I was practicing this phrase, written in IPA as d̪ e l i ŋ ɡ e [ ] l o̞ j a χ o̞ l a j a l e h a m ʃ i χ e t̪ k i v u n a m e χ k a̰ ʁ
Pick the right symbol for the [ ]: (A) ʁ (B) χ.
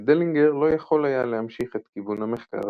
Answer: A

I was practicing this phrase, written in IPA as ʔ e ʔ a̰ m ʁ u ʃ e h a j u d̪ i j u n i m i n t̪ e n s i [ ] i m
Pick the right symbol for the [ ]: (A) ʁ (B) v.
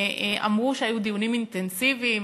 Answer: B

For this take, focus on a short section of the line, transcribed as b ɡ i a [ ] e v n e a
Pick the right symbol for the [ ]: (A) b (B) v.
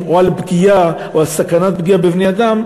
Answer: A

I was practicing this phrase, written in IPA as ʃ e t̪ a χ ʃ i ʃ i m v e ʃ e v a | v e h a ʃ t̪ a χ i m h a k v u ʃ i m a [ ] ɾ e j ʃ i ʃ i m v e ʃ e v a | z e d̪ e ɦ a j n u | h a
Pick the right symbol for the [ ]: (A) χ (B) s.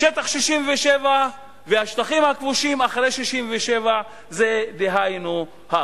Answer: A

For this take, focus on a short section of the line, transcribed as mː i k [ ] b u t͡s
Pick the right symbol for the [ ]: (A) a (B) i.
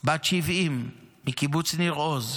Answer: B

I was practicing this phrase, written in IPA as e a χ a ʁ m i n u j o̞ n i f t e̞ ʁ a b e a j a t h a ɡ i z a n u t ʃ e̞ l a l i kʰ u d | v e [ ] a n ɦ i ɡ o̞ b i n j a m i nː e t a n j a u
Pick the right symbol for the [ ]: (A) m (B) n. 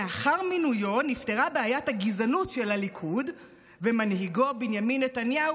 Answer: A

